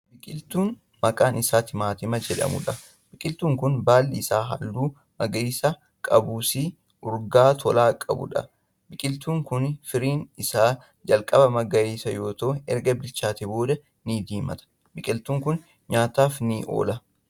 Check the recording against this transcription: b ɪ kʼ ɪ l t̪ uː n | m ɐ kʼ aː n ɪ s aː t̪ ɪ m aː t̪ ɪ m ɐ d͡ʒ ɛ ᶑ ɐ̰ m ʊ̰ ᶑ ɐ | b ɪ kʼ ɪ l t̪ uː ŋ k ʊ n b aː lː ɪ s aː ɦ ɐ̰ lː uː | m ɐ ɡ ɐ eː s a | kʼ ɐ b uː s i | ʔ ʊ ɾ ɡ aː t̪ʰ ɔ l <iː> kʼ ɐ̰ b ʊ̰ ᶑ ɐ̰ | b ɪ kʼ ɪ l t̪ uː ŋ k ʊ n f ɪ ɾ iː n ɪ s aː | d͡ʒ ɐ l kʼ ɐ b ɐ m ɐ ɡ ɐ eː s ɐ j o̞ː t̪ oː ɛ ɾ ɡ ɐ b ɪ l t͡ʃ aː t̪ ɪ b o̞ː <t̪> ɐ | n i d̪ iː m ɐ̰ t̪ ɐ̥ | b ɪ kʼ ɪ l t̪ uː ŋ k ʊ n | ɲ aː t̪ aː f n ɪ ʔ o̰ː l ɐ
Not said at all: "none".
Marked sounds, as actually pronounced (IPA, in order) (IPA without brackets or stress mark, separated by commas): aː, d̪